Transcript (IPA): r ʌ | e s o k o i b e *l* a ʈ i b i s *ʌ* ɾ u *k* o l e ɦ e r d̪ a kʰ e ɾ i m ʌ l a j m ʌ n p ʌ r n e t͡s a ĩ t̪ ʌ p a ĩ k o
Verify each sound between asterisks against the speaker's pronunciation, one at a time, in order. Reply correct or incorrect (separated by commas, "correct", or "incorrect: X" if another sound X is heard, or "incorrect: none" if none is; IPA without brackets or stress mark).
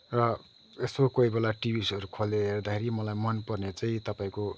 correct, correct, incorrect: kʰ